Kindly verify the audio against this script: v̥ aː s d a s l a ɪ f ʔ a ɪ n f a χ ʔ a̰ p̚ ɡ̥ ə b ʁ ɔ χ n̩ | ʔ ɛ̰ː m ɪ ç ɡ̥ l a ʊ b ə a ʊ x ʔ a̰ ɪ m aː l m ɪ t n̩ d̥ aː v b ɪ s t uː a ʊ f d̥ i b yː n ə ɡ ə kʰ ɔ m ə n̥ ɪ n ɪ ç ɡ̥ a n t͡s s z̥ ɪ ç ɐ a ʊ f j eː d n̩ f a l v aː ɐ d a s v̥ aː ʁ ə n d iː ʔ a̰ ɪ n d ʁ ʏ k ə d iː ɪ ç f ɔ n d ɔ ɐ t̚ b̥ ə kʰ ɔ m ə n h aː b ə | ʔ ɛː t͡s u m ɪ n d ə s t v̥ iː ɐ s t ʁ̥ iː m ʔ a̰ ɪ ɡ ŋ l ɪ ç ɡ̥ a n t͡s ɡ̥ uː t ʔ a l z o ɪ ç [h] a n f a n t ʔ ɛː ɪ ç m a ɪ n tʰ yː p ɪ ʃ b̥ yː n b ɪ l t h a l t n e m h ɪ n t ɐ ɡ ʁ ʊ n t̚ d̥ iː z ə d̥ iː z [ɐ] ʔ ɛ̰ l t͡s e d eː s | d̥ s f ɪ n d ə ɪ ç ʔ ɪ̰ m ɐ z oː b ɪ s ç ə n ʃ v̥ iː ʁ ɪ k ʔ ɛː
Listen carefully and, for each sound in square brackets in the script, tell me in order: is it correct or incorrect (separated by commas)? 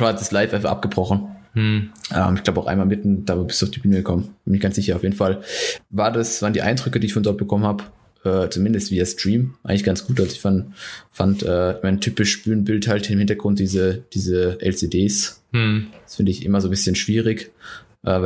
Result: incorrect, incorrect